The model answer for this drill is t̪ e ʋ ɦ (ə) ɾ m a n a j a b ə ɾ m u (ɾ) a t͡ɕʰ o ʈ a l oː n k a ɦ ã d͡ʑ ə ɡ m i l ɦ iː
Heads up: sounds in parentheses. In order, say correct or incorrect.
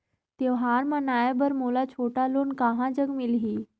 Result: incorrect, incorrect

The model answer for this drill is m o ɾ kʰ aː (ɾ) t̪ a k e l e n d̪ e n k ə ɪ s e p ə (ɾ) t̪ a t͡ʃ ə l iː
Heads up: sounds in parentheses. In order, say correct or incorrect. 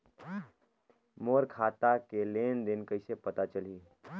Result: incorrect, incorrect

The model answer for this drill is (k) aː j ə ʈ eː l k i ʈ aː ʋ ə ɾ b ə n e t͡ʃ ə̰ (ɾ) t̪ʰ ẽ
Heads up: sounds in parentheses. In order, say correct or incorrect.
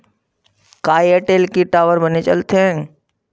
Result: correct, incorrect

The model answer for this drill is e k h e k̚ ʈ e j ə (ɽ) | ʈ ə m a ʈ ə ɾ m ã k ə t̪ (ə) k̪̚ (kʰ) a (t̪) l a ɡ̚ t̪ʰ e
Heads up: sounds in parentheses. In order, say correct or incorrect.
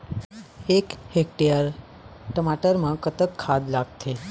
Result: incorrect, correct, correct, incorrect

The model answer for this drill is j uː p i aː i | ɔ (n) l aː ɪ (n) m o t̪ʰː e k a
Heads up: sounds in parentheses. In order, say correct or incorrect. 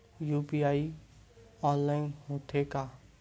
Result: correct, correct

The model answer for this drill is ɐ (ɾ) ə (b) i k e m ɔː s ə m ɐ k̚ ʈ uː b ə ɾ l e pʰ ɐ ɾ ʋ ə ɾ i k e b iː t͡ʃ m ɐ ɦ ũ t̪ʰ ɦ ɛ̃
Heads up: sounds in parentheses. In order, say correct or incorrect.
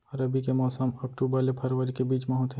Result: correct, correct

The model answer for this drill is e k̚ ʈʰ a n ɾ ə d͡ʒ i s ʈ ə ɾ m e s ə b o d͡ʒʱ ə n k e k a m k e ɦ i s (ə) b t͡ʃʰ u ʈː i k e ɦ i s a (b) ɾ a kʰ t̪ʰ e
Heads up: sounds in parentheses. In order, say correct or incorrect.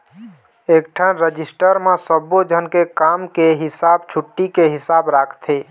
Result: incorrect, correct

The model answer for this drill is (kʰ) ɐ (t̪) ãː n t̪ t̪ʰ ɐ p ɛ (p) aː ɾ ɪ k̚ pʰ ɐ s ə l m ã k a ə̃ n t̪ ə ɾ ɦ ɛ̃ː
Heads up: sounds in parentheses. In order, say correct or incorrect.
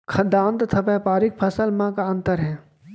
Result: correct, incorrect, correct

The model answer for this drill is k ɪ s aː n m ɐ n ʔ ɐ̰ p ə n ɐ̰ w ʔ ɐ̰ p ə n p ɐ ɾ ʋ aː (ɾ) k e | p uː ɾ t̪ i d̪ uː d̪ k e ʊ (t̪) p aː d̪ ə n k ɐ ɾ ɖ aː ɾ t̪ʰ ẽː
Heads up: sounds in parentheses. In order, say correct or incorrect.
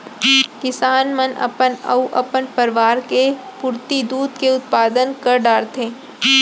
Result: correct, correct

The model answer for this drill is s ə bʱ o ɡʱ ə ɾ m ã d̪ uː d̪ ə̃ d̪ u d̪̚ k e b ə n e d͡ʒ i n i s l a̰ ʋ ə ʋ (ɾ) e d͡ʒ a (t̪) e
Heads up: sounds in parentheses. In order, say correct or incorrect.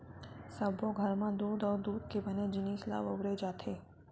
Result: correct, incorrect

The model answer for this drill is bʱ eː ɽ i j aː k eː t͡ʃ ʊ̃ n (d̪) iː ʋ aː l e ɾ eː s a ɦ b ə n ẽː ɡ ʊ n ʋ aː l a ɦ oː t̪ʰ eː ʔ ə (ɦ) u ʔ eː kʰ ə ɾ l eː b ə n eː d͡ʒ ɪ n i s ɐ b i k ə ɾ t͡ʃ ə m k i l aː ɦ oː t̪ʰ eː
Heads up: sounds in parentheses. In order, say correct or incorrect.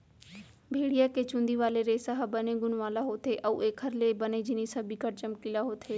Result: correct, incorrect

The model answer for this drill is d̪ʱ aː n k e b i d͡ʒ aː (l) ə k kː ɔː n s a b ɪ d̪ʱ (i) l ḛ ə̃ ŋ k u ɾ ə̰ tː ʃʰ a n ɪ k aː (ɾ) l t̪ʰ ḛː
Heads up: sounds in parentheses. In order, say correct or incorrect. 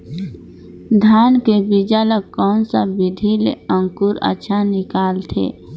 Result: correct, correct, incorrect

